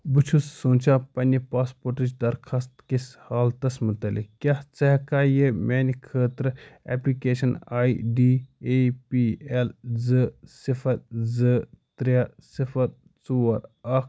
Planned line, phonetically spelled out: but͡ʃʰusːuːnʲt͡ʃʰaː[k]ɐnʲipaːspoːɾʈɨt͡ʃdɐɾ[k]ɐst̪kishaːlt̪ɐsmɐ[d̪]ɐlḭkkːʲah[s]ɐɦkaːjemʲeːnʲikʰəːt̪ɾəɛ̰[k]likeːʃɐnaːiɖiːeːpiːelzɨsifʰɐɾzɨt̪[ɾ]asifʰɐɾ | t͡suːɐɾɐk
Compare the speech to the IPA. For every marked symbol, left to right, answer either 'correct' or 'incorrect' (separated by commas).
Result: incorrect, incorrect, incorrect, incorrect, incorrect, correct